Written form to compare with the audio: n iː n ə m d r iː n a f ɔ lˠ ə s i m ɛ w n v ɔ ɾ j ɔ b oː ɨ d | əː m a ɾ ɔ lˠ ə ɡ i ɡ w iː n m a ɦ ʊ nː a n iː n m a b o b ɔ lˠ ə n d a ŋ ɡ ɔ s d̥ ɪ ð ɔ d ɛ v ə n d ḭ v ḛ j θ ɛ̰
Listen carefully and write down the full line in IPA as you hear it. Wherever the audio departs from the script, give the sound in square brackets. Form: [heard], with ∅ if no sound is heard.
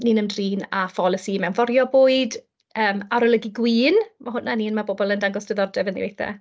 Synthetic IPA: n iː n ə m d r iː n a f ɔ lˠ ə s i m ɛ w n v ɔ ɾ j ɔ b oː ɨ d | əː m a ɾ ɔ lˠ ə ɡ i ɡ w iː n m a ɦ ʊ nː a n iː n m a b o b ɔ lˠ ə n d a ŋ ɡ ɔ s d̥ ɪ ð ɔ d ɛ v ə n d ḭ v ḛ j θ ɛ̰